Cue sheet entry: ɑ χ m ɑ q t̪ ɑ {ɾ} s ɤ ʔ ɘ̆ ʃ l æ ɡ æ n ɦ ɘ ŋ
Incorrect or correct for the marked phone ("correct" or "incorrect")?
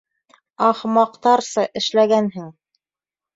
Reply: correct